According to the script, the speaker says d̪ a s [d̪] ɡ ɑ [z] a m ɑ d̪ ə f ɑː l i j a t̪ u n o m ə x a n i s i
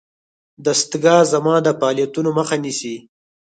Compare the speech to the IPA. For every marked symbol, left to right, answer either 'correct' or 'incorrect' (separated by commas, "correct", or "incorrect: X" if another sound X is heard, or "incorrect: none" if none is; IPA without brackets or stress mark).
incorrect: t̪, correct